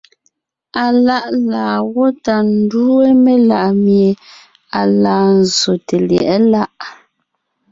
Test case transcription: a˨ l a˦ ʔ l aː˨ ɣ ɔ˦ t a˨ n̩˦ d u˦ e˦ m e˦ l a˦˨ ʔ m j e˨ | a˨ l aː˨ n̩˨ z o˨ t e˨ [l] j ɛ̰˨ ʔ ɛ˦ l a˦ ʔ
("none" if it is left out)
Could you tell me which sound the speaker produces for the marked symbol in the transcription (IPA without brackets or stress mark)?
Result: l